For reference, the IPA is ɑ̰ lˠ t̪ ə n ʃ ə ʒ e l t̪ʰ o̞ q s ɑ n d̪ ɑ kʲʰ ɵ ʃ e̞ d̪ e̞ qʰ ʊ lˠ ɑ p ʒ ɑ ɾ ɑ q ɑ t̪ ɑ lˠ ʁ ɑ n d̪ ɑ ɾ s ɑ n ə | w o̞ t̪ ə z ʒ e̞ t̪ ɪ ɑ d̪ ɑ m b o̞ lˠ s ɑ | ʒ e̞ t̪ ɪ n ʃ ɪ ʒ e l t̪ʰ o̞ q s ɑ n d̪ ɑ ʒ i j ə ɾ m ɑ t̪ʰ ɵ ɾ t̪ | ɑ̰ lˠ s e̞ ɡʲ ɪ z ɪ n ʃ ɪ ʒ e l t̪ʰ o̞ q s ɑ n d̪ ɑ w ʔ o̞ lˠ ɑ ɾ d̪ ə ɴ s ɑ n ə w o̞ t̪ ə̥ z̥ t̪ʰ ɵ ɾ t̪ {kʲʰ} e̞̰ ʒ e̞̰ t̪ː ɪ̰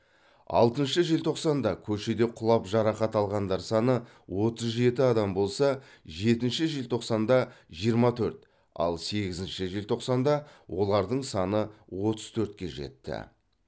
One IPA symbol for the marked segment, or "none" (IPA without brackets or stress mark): kʲ